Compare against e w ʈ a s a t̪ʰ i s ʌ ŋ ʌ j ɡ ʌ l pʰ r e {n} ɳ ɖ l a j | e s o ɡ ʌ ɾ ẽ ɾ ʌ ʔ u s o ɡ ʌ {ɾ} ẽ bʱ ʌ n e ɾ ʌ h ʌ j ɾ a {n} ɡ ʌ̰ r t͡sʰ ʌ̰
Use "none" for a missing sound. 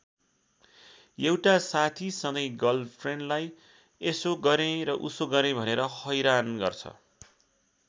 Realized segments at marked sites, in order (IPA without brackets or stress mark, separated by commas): none, ɾ, n